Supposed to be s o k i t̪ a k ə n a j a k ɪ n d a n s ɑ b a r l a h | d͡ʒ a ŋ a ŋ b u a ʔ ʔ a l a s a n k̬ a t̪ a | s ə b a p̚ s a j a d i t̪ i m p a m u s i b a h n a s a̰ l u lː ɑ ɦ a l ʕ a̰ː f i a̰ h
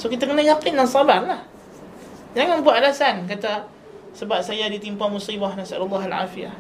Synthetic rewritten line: s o k i t̪ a k ə n a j a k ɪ n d a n s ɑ b a r l a h | d͡ʒ a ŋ a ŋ b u a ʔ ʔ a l a s a n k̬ a t̪ a | s ə b a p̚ s a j a d i t̪ i m p a m u s i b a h n a s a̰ l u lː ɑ ɦ a l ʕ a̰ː f i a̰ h